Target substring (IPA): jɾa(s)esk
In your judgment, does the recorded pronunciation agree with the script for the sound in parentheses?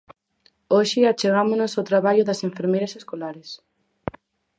yes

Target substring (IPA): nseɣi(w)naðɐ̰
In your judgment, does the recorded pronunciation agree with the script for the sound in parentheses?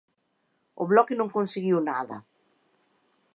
yes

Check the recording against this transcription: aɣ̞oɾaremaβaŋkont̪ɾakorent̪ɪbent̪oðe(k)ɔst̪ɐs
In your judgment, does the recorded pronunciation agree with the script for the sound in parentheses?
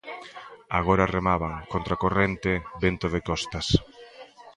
yes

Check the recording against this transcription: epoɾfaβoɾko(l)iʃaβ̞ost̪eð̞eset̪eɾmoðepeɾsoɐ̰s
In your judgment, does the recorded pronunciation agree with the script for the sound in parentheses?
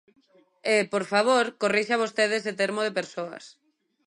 no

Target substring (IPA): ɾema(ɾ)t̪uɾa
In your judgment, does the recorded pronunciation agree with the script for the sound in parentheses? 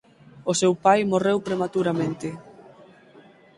no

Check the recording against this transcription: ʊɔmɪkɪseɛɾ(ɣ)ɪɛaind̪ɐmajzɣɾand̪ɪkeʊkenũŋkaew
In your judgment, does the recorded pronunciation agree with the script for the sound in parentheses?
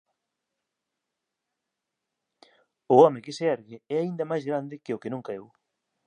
yes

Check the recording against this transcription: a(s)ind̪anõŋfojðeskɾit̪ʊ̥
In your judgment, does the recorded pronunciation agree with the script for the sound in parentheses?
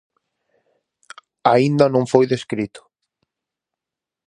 no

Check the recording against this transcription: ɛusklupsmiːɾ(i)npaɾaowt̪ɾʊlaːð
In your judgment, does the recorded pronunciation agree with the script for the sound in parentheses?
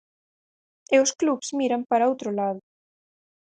no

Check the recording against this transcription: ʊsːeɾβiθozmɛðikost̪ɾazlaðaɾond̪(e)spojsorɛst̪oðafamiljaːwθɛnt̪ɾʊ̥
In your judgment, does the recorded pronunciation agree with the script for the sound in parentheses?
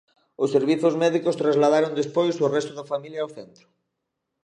yes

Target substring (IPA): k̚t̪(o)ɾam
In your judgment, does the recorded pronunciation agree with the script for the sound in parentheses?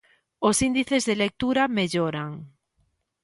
no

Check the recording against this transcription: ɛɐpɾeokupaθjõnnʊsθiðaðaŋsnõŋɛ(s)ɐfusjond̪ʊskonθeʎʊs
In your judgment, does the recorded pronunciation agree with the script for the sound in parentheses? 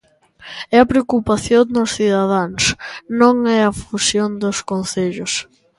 no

